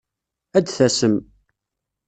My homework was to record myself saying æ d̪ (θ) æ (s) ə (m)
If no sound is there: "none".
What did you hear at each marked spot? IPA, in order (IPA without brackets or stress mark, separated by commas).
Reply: θ, s, m